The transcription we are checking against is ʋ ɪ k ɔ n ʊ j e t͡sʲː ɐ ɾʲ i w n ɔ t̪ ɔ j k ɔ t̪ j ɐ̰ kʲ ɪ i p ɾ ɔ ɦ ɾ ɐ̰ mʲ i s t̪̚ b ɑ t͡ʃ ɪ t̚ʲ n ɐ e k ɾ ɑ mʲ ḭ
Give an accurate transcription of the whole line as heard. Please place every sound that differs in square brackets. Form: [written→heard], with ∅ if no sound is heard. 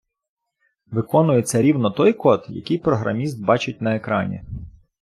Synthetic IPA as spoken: ʋ ɪ k ɔ n ʊ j e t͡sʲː ɐ ɾʲ i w n ɔ t̪ ɔ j k ɔ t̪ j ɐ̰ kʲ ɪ [i→j] p ɾ ɔ ɦ ɾ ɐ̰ mʲ i s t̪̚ b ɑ t͡ʃ ɪ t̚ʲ n ɐ e k ɾ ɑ [mʲ→nʲ] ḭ